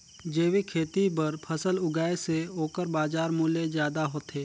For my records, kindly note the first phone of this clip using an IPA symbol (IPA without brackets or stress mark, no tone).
d͡ʒ